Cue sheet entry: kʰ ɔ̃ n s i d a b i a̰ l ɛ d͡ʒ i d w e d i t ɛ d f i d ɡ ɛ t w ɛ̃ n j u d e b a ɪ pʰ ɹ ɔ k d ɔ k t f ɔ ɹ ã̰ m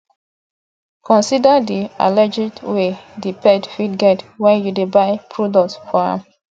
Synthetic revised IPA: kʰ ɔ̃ n s i d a d i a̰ l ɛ d͡ʒ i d w e d i p ɛ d f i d ɡ ɛ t w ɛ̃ n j u d e b a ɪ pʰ ɹ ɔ d ɔ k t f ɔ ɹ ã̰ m